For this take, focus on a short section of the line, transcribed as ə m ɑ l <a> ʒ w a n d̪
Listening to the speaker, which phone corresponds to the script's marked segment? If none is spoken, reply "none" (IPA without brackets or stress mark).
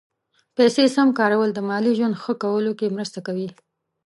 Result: i